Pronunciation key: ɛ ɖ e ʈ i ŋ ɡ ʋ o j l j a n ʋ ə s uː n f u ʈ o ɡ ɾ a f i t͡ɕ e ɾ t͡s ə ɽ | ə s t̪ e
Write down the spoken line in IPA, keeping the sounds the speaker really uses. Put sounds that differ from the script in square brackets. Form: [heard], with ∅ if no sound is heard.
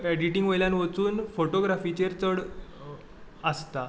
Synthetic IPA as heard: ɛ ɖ [i] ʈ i ŋ ɡ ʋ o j l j a n ʋ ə [t͡s] uː n f [o] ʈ o ɡ ɾ a f i t͡ɕ e ɾ t͡s ə ɽ | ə s t̪ [a]